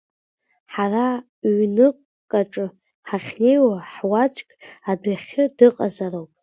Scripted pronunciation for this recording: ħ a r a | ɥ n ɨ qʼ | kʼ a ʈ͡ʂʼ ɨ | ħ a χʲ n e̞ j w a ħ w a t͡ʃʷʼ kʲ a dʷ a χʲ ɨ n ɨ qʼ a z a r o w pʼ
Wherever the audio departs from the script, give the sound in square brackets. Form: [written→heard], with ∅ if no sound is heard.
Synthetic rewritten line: ħ a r a | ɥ n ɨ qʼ | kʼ a ʈ͡ʂʼ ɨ | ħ a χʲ n e̞ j w a ħ w a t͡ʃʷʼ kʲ a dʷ a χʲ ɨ [n→d] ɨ qʼ a z a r o w pʼ